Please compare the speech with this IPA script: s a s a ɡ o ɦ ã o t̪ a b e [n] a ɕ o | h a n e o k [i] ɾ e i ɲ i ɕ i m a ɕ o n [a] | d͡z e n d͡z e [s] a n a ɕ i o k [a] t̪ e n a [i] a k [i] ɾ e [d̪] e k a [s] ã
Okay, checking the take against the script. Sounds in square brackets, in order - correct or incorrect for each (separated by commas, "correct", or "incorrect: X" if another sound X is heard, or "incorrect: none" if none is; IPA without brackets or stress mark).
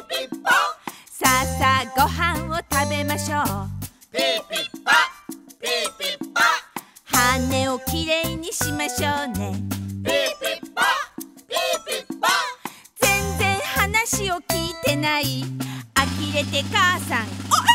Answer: incorrect: m, correct, incorrect: e, incorrect: h, incorrect: i, correct, correct, incorrect: t̪, correct